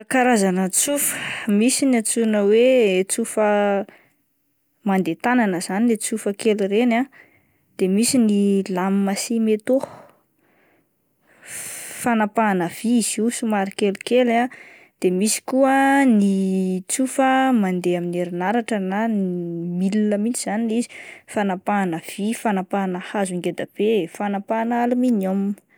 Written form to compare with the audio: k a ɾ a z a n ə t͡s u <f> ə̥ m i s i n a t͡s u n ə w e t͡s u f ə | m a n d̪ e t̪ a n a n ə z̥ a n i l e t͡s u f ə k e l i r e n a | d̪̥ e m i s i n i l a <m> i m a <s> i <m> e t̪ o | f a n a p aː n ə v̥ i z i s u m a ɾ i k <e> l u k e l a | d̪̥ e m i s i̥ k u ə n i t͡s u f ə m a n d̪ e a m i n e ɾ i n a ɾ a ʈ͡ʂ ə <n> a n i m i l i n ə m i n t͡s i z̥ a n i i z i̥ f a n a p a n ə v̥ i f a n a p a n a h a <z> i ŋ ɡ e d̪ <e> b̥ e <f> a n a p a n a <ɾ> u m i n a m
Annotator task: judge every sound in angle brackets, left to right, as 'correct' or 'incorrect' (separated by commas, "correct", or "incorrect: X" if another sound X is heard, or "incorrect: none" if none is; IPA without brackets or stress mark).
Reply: correct, correct, correct, correct, correct, correct, correct, incorrect: a, correct, incorrect: l